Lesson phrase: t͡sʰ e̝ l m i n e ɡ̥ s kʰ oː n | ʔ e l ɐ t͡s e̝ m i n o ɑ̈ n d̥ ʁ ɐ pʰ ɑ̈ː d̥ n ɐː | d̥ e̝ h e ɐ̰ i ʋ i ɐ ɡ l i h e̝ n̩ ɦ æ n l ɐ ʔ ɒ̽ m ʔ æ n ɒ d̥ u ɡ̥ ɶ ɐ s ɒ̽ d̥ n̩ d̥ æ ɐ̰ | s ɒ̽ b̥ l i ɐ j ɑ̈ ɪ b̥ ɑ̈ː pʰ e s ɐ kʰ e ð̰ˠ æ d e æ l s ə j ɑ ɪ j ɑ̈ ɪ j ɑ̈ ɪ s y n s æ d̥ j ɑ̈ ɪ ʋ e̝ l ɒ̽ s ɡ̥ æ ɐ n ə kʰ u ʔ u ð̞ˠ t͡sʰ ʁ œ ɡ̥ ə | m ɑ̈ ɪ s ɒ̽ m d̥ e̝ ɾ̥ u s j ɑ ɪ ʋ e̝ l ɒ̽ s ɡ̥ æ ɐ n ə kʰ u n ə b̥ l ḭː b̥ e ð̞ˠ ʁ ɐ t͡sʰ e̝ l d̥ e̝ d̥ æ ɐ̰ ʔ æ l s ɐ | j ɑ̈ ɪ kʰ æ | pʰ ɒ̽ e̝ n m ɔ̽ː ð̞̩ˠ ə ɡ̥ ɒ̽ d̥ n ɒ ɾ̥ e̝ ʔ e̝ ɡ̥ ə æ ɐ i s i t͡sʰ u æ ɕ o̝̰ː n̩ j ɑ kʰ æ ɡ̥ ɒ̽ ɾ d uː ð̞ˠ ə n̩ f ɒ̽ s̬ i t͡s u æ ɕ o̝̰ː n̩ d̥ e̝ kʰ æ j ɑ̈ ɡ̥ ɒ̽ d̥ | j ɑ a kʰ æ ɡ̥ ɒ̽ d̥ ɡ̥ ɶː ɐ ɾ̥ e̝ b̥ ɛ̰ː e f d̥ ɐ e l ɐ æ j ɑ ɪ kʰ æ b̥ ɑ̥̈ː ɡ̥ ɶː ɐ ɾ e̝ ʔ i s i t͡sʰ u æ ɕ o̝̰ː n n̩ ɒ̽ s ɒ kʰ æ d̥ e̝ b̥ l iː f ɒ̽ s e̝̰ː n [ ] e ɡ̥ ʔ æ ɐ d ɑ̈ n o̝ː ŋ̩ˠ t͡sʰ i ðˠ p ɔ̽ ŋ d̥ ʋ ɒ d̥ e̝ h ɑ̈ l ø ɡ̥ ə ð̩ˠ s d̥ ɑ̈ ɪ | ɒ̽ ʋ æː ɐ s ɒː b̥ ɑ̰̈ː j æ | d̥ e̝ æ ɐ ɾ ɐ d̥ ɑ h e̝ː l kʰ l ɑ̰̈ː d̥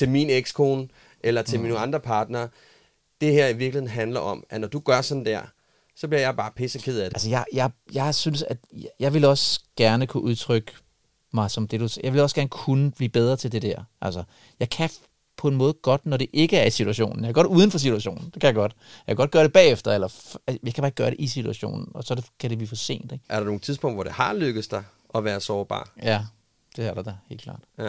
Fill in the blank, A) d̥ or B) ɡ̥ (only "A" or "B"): A